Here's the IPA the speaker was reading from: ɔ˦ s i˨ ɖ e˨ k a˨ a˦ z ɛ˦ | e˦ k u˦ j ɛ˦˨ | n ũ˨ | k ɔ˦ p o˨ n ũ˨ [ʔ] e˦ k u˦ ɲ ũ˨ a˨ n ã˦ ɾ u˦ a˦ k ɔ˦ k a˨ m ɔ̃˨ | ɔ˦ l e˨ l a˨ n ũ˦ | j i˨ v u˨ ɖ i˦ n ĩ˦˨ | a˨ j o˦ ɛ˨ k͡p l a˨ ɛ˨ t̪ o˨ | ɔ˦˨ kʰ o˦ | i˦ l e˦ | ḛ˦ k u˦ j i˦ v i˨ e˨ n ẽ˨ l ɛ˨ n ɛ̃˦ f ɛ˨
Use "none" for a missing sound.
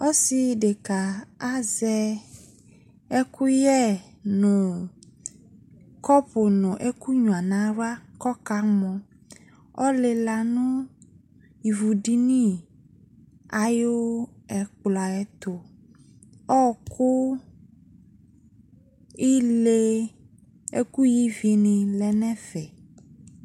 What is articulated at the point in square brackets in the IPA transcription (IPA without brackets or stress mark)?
ʔ